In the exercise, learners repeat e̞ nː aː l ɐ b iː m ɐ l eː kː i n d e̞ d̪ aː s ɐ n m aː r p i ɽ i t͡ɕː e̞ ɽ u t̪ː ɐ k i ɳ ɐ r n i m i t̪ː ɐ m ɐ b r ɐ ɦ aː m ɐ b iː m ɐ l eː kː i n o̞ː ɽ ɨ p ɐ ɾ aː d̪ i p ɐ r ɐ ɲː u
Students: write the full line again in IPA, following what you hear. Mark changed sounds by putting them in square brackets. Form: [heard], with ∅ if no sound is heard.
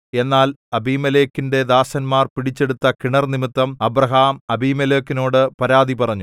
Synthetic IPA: e̞ nː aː l ɐ b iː m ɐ l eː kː i n d e̞ d̪ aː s ɐ n m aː r p i ɽ i t͡ɕː e̞ ɽ u t̪ː ɐ k i ɳ ɐ r n i m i t̪ː ɐ m ɐ b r ɐ ɦ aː m ɐ b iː m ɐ l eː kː i n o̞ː ɽ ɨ p ɐ ɾ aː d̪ i p ɐ r ɐ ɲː u